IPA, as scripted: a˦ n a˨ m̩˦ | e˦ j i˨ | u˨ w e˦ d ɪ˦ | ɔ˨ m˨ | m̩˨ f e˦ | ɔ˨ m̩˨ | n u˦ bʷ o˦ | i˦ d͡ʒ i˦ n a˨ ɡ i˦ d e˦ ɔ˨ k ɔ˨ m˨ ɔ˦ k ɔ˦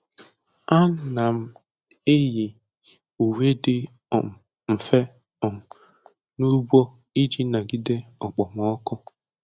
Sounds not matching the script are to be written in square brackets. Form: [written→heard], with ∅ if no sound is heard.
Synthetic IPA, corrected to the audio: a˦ n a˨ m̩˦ | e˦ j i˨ | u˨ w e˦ d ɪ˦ | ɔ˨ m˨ | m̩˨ f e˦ | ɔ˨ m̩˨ | n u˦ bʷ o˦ | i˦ d͡ʒ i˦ n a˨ ɡ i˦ d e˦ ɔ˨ [k→k͡p] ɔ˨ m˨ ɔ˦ k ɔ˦